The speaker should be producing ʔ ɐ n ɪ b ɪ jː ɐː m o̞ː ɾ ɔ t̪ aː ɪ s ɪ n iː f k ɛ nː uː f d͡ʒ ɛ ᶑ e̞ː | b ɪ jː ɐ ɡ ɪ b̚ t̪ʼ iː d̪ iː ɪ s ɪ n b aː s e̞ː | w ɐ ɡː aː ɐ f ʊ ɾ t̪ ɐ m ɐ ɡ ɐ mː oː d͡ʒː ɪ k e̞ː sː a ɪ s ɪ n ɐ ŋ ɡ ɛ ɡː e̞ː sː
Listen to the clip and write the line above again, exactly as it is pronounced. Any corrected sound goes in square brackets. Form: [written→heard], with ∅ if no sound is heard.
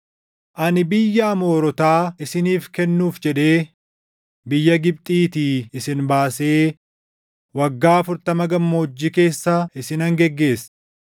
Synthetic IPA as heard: ʔ ɐ n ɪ b ɪ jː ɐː m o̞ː ɾ ɔ t̪ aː ɪ s ɪ n iː f k ɛ nː uː f d͡ʒ ɛ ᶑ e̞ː | b ɪ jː ɐ ɡ ɪ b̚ t̪ʼ iː [d̪→t̪] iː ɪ s ɪ n b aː s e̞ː | w ɐ ɡː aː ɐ f ʊ ɾ t̪ ɐ m ɐ ɡ ɐ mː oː d͡ʒː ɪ k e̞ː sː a ɪ s ɪ n ɐ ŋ ɡ ɛ ɡː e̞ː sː